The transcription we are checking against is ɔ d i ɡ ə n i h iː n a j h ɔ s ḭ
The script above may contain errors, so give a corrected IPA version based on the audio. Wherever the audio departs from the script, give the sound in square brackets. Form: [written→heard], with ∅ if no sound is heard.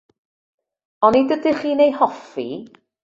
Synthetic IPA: ɔ [d→n] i [ɡ→d] ə [n→d] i [h→χ] iː n [a→e] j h ɔ [s→f] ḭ